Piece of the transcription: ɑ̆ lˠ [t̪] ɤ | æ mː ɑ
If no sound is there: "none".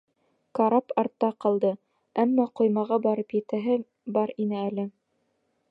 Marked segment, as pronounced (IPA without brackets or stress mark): d̪